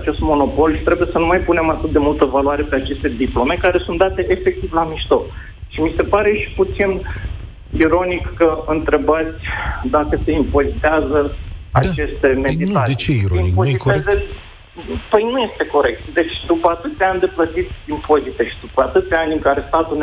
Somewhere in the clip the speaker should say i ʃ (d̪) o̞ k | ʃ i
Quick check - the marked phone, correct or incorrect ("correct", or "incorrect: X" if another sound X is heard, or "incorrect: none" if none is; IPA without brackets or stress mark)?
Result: incorrect: t̪